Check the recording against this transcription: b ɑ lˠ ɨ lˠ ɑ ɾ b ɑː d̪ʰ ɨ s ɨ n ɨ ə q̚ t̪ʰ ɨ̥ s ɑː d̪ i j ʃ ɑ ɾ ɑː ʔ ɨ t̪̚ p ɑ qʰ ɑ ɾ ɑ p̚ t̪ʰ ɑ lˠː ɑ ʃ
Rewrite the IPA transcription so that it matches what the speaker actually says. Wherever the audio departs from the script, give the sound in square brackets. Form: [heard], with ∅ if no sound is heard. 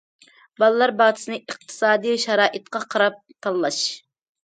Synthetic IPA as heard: b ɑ lˠ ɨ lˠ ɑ ɾ b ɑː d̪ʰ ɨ s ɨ n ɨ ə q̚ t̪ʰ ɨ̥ s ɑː d̪ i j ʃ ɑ ɾ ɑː ʔ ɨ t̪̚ [q] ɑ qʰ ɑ ɾ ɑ p̚ t̪ʰ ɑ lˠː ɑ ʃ